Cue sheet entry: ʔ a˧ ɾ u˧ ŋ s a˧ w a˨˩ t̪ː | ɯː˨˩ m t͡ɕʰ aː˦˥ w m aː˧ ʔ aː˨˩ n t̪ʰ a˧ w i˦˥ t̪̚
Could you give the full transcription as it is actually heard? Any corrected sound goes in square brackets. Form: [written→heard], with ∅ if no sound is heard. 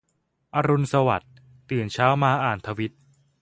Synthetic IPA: ʔ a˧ ɾ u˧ [ŋ→n] s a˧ w a˨˩ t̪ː | ɯː˨˩ [m→n] t͡ɕʰ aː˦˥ w m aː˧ ʔ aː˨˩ n t̪ʰ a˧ w i˦˥ t̪̚

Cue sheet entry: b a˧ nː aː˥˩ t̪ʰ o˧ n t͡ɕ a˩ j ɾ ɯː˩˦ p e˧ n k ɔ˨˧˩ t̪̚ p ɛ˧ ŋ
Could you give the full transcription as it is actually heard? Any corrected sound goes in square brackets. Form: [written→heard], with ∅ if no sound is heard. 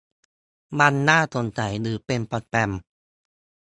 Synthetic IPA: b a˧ nː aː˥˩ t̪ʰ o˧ n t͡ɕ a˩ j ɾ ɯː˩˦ p e˧ n [k→p] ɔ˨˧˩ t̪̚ p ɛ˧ [ŋ→m]

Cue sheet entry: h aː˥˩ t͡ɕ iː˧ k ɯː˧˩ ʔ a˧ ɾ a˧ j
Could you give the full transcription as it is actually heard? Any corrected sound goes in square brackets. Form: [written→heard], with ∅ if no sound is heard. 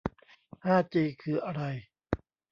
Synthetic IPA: h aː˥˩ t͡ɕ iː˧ [k→kʰ] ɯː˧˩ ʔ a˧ ɾ a˧ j

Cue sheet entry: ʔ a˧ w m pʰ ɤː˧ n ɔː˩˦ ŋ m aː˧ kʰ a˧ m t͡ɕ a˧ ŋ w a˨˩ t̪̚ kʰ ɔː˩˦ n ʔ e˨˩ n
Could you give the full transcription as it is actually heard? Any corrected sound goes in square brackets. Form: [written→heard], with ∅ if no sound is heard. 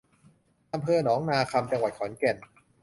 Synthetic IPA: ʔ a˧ [w→∅] m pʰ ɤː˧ n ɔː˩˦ ŋ [m→n] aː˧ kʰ a˧ m t͡ɕ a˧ ŋ w a˨˩ t̪̚ kʰ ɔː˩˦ n [ʔ→k] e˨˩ n

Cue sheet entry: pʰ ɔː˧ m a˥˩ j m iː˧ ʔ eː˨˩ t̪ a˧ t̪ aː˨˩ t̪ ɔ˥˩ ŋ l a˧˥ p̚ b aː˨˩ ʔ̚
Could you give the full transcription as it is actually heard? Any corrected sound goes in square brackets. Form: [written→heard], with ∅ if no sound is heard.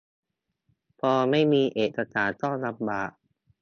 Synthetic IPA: pʰ ɔː˧ m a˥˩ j m iː˧ ʔ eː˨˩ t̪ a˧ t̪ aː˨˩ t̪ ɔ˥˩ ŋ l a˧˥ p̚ b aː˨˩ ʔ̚

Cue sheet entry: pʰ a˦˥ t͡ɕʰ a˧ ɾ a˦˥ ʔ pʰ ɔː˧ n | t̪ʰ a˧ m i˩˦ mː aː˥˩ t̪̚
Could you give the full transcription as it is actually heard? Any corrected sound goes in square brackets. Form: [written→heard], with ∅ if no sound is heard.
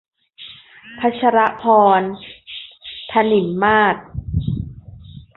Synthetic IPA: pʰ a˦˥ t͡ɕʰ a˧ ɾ a˦˥ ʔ pʰ ɔː˧ n | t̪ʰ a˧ [m→n] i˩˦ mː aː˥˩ t̪̚

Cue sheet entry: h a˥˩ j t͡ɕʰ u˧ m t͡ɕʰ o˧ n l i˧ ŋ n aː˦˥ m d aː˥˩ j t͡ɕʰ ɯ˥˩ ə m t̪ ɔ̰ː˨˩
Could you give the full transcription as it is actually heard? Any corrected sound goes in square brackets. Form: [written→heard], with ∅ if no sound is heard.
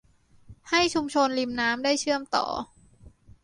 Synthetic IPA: h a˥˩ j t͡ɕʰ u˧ m t͡ɕʰ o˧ n l i˧ [ŋ→m] n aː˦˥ m d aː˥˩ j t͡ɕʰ ɯ˥˩ ə m t̪ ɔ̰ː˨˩

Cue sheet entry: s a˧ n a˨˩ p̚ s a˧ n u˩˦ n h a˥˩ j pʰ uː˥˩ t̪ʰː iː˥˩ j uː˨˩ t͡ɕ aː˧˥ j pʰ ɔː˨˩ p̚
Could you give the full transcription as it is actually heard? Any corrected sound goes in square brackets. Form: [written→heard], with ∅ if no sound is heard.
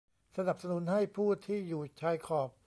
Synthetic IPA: s a˧ n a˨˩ p̚ s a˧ n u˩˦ n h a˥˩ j pʰ uː˥˩ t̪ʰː iː˥˩ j uː˨˩ [t͡ɕ→t͡ɕʰ] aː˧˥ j [pʰ→kʰ] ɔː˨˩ p̚

